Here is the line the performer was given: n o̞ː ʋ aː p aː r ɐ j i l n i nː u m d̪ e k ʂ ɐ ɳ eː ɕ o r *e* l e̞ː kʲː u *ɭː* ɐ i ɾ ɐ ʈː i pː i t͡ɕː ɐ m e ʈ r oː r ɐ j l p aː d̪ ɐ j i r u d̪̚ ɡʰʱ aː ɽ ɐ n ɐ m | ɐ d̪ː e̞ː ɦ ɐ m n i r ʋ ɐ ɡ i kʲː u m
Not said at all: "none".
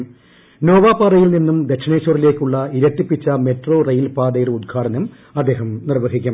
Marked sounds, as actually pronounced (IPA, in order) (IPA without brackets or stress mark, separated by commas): i, ɭː